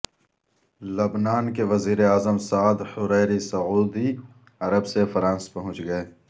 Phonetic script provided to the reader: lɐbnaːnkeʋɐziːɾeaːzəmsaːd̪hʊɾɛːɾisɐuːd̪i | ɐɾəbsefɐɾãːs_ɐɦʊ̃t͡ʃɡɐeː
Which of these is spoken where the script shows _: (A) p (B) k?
A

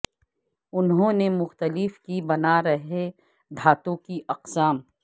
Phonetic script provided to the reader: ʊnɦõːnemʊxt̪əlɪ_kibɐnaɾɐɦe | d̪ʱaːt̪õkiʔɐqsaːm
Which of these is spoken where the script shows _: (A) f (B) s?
A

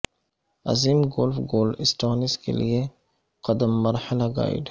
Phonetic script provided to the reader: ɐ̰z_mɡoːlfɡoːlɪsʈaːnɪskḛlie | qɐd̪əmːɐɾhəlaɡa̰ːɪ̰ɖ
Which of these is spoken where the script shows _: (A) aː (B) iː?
B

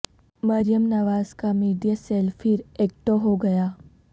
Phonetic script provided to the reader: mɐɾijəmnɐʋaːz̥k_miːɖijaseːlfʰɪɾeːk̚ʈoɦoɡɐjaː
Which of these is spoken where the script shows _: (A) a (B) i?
A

